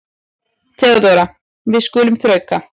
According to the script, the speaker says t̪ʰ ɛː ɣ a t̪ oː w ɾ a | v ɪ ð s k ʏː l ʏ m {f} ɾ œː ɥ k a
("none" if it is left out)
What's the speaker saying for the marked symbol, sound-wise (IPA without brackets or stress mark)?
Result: θ